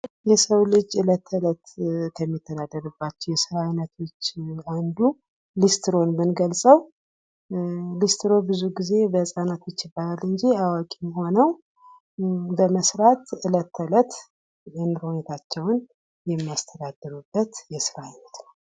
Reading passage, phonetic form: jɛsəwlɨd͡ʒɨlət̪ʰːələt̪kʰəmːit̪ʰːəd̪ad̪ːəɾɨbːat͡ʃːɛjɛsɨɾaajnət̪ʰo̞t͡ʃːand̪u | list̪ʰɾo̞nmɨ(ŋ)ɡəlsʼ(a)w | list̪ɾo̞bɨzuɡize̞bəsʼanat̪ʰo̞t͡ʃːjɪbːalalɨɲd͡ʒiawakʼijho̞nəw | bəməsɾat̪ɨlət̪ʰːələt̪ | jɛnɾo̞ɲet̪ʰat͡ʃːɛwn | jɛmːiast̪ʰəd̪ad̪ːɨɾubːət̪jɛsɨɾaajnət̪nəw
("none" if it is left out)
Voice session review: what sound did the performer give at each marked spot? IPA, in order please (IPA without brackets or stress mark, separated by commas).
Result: n, ə